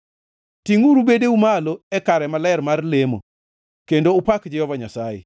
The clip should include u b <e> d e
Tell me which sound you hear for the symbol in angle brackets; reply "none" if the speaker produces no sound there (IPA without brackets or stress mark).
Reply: e